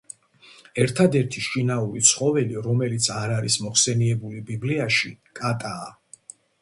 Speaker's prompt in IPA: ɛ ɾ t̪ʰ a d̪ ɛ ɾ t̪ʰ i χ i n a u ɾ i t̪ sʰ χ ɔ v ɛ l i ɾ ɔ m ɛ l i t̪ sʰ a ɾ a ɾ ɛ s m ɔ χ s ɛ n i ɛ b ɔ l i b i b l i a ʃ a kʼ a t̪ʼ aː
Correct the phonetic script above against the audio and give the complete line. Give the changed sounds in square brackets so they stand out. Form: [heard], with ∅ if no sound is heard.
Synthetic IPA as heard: ɛ ɾ t̪ʰ a d̪ ɛ ɾ t̪ʰ i [ʃ] i n a u ɾ i t̪ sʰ χ ɔ v ɛ l i ɾ ɔ m ɛ l i t̪ sʰ a ɾ a ɾ [i] s m ɔ χ s ɛ n i ɛ b [u] l i b i b l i a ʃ [i] kʼ a t̪ʼ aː